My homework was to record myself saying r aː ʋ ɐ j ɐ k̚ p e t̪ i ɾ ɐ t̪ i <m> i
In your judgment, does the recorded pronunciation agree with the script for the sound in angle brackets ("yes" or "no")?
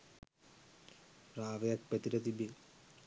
no